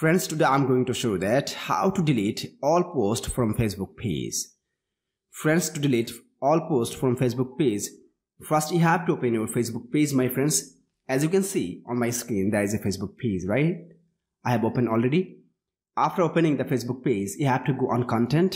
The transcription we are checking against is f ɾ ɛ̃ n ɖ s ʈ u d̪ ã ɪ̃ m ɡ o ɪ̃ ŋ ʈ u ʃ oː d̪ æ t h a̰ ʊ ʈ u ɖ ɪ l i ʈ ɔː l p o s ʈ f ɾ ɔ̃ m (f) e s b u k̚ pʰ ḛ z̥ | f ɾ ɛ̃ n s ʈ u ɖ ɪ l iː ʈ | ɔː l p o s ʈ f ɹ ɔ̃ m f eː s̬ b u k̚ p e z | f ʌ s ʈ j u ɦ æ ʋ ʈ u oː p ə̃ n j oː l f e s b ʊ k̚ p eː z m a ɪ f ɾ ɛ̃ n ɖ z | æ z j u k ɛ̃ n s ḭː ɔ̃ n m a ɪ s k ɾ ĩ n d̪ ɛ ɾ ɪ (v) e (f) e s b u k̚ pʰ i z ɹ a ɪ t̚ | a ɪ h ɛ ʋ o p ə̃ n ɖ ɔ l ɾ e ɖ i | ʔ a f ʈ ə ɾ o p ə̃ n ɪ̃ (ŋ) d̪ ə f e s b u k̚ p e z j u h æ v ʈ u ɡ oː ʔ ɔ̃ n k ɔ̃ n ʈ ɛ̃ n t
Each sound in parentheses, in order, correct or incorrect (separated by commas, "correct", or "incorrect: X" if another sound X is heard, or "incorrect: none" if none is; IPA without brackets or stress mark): correct, incorrect: z, correct, correct